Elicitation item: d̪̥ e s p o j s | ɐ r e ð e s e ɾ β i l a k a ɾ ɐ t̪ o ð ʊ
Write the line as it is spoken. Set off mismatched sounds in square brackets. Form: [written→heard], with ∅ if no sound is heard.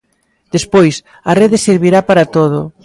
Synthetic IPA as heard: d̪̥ e s p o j s | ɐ r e ð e s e ɾ β i [l→ɾ] a [k→p] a ɾ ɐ t̪ o ð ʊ